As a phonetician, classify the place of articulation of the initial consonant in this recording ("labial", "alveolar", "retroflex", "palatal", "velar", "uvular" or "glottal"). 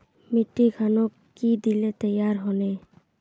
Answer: labial